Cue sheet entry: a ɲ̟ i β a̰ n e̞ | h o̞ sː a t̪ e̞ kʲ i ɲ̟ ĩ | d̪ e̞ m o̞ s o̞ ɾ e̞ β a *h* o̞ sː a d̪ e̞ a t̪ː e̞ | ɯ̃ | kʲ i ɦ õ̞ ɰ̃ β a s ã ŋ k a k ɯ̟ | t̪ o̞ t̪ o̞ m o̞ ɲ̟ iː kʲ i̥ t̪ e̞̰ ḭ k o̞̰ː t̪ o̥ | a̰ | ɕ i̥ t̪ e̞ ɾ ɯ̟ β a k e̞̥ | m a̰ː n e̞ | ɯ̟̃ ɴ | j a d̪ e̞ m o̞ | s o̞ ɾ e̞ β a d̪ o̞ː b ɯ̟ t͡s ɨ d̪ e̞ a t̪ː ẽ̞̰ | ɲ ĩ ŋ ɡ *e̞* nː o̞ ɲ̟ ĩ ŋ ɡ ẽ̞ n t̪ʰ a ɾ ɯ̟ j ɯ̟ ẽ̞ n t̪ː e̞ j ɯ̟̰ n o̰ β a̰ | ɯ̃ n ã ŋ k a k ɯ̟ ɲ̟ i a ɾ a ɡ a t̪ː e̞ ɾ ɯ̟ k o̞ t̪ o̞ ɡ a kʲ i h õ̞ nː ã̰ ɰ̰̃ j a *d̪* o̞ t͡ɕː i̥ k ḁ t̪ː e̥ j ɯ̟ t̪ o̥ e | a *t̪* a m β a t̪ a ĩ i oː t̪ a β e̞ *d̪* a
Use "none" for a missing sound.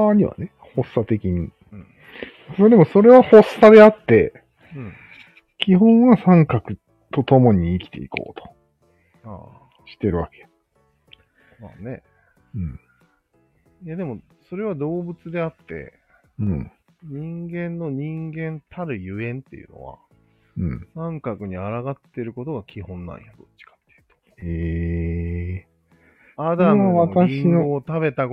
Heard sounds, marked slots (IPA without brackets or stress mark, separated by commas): h, ẽ̞, d̪, d̪, t̪